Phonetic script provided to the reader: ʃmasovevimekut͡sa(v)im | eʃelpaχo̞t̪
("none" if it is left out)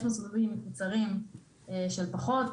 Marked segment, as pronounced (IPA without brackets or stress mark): ʁ